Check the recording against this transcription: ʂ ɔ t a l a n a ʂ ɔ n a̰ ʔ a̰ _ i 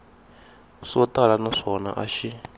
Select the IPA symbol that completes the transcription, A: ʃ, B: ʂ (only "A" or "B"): A